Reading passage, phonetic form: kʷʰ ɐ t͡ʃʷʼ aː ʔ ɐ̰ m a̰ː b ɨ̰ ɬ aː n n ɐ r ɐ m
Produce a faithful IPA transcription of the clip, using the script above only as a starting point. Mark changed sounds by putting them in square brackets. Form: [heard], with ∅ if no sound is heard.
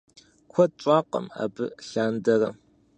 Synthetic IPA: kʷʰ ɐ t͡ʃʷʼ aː [q] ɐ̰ m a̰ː b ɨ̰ ɬ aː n [d] ɐ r ɐ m

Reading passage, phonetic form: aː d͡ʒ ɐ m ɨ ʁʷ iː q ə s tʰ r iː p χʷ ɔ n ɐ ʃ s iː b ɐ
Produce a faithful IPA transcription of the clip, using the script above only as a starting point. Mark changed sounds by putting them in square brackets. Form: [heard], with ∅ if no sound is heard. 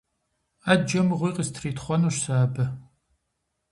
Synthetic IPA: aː d͡ʒ ɐ m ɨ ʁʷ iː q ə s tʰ r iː [t] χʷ ɔ n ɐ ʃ s [aː] b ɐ

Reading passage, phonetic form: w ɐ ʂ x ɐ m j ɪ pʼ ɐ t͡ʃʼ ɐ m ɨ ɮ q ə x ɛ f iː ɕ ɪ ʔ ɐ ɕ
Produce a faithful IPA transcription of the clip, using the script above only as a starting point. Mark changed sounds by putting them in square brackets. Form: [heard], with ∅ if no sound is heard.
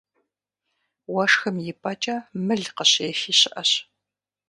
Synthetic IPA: w ɐ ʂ x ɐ m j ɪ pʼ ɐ t͡ʃʼ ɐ m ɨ ɮ q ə [ɕ] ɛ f iː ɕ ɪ ʔ ɐ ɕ

